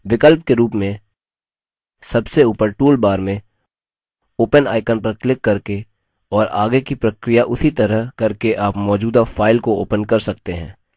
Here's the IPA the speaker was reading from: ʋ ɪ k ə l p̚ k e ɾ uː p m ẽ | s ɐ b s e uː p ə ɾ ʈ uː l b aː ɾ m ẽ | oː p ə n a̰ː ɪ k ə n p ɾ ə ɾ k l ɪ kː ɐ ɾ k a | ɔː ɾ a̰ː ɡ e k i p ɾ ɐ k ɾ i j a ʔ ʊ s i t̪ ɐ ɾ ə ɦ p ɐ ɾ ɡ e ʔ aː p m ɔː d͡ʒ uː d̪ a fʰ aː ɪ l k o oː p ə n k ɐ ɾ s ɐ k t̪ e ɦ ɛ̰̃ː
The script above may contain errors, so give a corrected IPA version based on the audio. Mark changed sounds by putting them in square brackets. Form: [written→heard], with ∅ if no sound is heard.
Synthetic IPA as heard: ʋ ɪ k ə l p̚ k e ɾ uː p m ẽ | s ɐ b s e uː p ə ɾ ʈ uː l b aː ɾ m ẽ | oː p ə n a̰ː ɪ k ə n p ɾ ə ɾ k l ɪ kː ɐ ɾ k [a→e] | ɔː ɾ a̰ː ɡ e k i p ɾ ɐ k ɾ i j a ʔ ʊ s i t̪ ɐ ɾ ə ɦ [p→k] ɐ ɾ [ɡ→k] e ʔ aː p m ɔː d͡ʒ uː d̪ a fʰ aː ɪ l k o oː p ə n k ɐ ɾ s ɐ k t̪ e ɦ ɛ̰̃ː